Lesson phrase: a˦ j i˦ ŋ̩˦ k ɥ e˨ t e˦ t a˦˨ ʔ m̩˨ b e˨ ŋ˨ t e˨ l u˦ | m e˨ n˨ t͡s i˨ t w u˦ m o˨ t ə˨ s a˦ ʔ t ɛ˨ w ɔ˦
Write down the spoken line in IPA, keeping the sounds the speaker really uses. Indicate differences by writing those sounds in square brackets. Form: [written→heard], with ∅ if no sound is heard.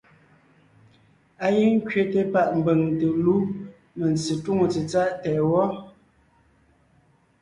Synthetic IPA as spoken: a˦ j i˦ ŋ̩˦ k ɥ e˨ t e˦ [t→p] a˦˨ ʔ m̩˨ b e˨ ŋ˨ t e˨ l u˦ | m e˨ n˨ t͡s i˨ t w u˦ [m→ŋ] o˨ [t→t͡s] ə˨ [s→t͡s] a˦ ʔ t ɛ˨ w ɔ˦

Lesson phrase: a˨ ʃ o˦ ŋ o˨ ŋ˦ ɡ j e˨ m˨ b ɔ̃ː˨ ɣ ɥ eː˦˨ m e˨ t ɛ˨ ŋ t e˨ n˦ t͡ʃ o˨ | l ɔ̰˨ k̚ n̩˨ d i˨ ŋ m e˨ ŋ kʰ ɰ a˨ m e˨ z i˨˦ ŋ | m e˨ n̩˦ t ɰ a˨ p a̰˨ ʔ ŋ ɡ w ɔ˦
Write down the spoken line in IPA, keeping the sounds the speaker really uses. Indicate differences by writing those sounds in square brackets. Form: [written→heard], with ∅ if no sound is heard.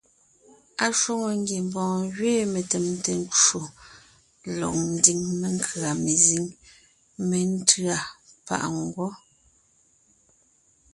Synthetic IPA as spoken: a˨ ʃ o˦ ŋ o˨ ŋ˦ ɡ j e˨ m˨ b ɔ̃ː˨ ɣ ɥ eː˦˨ m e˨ t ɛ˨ [ŋ→m] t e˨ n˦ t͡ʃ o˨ | l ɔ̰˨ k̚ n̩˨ d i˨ ŋ m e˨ ŋ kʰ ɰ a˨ m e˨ z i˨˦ ŋ | m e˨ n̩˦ t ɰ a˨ p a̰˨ ʔ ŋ ɡ w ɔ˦

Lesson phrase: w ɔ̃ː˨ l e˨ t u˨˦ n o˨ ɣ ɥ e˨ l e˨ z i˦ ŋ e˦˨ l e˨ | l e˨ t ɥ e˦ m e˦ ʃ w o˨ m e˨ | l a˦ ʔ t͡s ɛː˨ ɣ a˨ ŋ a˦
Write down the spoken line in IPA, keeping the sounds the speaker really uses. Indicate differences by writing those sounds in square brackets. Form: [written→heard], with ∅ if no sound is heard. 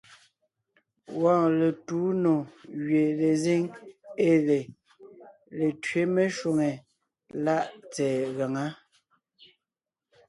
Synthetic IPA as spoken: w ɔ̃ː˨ l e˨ t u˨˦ n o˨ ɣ ɥ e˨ l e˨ z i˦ ŋ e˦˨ l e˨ | l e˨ t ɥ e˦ m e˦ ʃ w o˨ [m→ŋ] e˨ | l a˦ ʔ t͡s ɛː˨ ɣ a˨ ŋ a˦

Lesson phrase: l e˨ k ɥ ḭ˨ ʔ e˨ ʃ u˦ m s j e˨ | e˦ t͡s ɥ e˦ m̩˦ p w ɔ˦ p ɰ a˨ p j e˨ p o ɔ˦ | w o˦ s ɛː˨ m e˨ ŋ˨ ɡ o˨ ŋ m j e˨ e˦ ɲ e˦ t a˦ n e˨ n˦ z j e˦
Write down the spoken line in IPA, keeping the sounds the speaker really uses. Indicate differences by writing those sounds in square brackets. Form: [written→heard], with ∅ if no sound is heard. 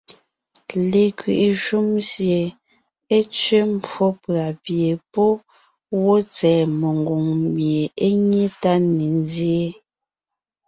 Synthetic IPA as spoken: l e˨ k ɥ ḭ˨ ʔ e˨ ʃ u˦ m s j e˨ | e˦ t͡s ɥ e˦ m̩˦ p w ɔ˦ p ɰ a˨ p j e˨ p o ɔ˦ | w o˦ [s→t͡s] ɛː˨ m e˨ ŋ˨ ɡ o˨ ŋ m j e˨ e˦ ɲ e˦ t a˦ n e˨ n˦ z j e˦

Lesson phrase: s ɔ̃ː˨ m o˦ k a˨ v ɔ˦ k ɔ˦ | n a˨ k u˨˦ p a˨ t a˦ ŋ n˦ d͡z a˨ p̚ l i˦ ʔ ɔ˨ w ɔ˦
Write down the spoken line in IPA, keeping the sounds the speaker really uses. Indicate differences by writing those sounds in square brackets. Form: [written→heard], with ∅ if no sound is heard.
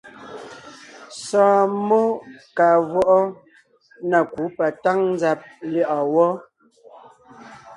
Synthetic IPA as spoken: s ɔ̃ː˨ m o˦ k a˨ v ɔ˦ [k→ʔ] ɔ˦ | n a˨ k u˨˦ p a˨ t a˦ ŋ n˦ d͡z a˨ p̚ l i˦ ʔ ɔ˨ w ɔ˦

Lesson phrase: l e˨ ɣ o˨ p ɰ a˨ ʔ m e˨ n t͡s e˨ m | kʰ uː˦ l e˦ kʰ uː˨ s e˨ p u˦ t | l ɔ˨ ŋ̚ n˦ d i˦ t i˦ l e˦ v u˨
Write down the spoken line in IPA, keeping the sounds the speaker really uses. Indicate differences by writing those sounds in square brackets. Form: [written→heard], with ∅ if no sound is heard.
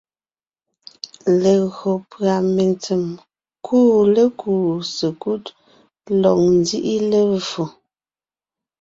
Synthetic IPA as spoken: l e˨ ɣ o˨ p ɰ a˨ [ʔ→∅] m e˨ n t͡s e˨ m | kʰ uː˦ l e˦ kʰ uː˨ s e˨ [p→k] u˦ t | l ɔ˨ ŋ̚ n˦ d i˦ [t→ʔ] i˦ l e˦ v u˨

